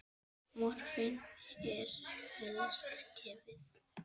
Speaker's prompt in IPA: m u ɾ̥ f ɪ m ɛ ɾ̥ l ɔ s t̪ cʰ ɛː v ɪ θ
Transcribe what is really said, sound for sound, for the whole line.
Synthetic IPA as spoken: m ɔ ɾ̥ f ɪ n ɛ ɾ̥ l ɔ s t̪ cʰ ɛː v ɪ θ

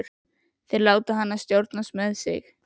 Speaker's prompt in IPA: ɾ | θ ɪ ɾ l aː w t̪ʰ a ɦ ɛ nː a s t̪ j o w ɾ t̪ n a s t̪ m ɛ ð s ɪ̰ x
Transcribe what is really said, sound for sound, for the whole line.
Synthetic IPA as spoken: ɾ | θ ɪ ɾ l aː w t̪ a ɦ a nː a s t̪ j o w ɾ t̪ n a s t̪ m ɛ ð s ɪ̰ x

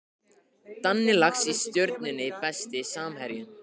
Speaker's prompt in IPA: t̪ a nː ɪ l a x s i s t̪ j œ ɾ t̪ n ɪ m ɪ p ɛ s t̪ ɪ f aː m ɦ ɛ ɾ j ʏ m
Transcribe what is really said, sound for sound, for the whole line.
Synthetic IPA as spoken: t̪ a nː ɪ l a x s i s t̪ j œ ɾ t̪ n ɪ n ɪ p ɛ s t̪ ɪ s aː m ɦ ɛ ɾ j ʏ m

